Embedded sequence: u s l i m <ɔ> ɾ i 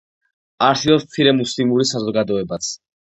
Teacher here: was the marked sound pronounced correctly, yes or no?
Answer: no